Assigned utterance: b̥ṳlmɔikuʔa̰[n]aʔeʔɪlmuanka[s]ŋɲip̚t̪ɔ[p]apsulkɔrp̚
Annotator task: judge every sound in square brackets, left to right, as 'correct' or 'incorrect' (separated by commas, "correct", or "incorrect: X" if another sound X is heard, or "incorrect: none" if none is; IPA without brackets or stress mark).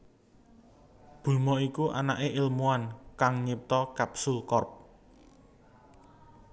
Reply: correct, incorrect: none, incorrect: k